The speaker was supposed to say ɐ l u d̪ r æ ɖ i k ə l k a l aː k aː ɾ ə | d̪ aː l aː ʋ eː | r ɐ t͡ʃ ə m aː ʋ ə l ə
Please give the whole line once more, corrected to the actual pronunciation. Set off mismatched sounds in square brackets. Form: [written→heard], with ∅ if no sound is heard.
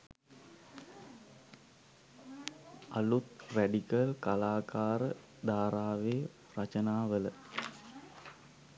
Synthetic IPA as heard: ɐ l u [d̪→t̪] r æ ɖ i k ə l k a l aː k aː ɾ ə | d̪ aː [l→ɾ] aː ʋ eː | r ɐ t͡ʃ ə [m→n] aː ʋ ə l ə